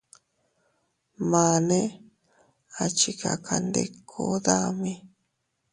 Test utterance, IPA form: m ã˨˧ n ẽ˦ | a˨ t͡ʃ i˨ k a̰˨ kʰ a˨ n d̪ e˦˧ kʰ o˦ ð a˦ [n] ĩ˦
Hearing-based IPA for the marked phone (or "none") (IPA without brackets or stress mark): m